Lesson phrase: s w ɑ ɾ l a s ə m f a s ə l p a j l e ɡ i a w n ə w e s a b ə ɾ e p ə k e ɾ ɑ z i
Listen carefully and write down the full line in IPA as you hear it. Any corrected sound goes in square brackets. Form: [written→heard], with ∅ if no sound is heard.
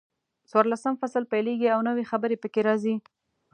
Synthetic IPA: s w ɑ ɾ l a s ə m f a s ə l p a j l e ɡ i a w n ə w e [s→x] a b ə ɾ e p ə k e ɾ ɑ z i